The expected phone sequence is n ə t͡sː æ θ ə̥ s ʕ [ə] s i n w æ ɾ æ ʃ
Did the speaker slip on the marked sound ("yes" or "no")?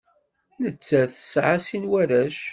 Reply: yes